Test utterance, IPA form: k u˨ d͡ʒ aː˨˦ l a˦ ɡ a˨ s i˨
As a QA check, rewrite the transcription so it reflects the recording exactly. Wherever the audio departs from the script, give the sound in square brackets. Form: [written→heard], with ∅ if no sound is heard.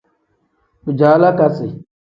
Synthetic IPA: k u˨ d͡ʒ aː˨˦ l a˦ [ɡ→k] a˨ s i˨